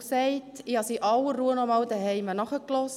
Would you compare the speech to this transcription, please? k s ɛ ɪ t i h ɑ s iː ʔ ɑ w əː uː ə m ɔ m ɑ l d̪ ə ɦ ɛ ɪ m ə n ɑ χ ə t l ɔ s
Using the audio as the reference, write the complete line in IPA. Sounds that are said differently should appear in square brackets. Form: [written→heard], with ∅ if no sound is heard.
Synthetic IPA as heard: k s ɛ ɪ t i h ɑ s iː ʔ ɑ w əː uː ə [m→n] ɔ m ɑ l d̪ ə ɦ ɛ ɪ m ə n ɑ χ ə [t→k] l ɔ s